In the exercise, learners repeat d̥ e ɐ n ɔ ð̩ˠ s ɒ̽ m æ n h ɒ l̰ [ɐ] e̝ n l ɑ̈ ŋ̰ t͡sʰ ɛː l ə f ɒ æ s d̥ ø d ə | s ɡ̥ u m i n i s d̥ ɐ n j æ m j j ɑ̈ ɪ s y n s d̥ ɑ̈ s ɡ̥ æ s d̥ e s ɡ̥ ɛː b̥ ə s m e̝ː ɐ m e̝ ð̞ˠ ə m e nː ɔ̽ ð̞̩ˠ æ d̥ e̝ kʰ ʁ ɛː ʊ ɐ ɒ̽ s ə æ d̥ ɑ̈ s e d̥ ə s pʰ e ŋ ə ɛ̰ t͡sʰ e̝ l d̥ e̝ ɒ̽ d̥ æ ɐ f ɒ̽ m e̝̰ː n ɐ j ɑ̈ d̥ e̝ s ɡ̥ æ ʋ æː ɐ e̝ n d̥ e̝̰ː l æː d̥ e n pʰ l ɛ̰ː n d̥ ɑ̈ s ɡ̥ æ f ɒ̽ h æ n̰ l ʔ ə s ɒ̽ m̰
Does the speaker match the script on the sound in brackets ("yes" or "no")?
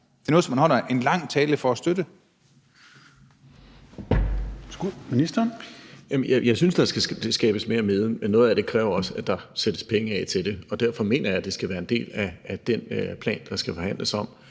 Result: yes